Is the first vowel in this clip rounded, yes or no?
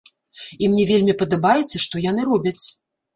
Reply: no